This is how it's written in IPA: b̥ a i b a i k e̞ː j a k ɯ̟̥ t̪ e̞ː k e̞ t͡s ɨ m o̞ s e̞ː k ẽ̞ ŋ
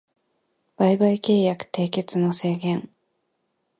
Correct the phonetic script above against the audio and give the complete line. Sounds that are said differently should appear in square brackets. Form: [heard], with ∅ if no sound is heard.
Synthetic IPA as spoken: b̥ a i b a i k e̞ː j a k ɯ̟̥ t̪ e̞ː k e̞ t͡s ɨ [n] o̞ s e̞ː [ɡ] ẽ̞ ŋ